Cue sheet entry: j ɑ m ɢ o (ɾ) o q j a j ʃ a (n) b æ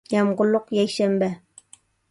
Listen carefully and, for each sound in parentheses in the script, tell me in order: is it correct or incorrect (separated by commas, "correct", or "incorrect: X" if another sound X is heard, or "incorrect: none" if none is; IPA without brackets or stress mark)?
incorrect: l, incorrect: m